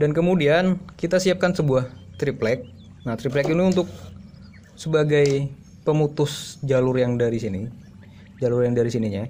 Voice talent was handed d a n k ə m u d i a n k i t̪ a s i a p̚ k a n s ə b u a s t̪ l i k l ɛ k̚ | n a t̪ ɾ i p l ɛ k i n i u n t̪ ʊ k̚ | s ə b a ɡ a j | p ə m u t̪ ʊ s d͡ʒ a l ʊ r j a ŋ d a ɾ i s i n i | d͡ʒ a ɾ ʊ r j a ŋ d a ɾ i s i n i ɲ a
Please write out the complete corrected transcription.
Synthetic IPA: d a n k ə m u d i a n k i t̪ a s i a p̚ k a n s ə b u a h t̪ ɾ i p l ɛ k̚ | n a t̪ ɾ i p l ɛ k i n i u n t̪ ʊ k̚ | s ə b a ɡ a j | p ə m u t̪ ʊ s d͡ʒ a l ʊ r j a ŋ d a ɾ i s i n i | d͡ʒ a l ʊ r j a ŋ d a ɾ i s i n i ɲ a